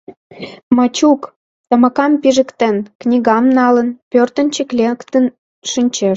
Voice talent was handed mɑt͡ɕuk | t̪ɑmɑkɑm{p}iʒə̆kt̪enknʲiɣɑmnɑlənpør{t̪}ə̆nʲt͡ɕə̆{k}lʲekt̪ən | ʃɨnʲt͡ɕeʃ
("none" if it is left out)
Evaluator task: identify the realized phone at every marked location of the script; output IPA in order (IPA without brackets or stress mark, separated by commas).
p, t̪, k